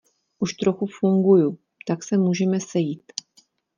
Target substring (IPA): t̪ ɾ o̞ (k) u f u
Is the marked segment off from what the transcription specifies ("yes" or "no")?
yes